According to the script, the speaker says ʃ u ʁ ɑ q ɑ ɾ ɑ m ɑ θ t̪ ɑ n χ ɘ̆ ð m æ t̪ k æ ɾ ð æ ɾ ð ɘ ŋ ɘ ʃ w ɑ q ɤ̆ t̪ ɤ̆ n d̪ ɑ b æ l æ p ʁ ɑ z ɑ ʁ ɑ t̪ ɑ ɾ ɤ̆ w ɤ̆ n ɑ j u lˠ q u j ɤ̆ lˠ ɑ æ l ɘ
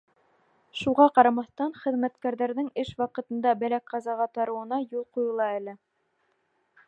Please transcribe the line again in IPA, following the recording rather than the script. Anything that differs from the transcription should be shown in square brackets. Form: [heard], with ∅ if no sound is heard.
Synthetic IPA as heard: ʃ u ʁ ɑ q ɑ ɾ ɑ m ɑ θ t̪ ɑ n χ ɘ̆ ð m æ t̪ k æ ɾ ð æ ɾ ð ɘ ŋ ɘ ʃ w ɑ q ɤ̆ t̪ ɤ̆ n d̪ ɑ b æ l æ [k] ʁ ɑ z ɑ ʁ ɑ t̪ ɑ ɾ ɤ̆ w ɤ̆ n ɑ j u lˠ q u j ɤ̆ lˠ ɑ æ l ɘ